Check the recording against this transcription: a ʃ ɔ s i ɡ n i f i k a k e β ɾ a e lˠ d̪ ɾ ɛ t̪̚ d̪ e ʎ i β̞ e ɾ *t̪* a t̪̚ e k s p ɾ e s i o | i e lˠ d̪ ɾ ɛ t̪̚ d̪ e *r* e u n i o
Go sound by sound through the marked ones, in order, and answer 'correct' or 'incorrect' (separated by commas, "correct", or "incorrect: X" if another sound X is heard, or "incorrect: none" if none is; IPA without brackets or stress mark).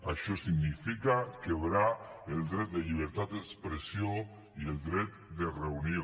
correct, correct